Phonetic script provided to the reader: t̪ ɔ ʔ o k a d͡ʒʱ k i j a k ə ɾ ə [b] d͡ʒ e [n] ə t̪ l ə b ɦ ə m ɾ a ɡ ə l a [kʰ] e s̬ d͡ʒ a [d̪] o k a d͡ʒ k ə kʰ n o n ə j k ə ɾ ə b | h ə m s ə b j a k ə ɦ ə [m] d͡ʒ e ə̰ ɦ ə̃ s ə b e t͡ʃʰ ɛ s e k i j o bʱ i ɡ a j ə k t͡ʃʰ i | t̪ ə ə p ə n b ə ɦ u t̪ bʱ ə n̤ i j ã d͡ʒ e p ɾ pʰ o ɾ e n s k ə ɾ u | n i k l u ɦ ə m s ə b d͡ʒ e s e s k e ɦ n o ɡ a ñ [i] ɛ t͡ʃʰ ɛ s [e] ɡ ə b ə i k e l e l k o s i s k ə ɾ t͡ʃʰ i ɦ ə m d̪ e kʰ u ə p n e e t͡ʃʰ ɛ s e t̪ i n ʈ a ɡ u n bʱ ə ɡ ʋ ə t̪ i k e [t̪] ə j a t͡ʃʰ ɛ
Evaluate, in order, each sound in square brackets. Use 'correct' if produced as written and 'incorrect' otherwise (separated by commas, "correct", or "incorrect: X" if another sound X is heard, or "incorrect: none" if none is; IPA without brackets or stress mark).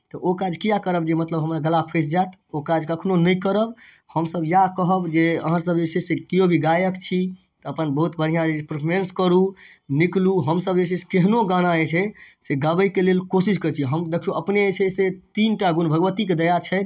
correct, incorrect: m, incorrect: pʰ, incorrect: t̪, incorrect: b, incorrect: a, correct, incorrect: d̪